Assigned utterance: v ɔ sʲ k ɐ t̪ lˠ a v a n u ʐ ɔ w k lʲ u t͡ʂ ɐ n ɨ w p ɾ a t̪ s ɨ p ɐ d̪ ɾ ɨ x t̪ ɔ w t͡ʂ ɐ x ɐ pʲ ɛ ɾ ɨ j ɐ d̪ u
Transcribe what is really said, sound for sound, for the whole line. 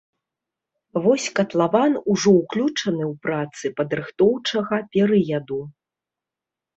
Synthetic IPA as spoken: v ɔ sʲ k ɐ t̪ lˠ a v a n u ʐ ɔ w k lʲ u t͡ʂ ɐ n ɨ w p ɾ a t̪ s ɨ p ɐ d̪ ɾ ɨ x t̪ ɔ w t͡ʂ ɐ ɣ ɐ pʲ ɛ ɾ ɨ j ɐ d̪ u